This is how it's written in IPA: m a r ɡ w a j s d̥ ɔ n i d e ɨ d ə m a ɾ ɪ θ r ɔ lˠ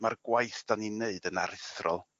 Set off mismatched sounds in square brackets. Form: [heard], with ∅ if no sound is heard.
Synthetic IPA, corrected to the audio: m a r ɡ w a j [θ] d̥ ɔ n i [n] e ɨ d ə [n] a ɾ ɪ θ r ɔ lˠ